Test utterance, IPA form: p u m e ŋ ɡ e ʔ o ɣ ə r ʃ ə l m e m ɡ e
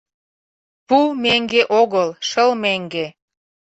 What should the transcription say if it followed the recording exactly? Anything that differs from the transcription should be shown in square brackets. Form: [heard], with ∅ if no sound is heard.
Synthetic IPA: p u m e ŋ ɡ e ʔ o ɣ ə [l] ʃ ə l m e [ŋ] ɡ e